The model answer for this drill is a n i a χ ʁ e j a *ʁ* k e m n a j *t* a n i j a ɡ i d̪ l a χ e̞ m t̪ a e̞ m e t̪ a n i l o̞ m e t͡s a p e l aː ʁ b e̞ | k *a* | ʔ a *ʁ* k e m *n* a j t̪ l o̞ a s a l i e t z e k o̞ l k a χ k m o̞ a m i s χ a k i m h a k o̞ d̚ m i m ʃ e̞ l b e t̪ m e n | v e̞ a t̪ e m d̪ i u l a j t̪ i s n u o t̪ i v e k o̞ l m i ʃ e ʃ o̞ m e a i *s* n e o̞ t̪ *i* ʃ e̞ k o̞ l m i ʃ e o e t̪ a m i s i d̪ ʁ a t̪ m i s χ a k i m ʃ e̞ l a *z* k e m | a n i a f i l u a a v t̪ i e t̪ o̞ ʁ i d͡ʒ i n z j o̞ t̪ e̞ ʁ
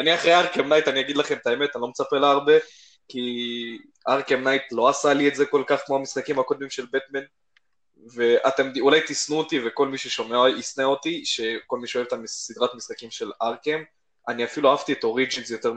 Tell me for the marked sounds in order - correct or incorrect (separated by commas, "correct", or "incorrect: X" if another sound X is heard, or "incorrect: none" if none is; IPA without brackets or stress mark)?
correct, correct, incorrect: i, correct, correct, correct, correct, incorrect: ʁ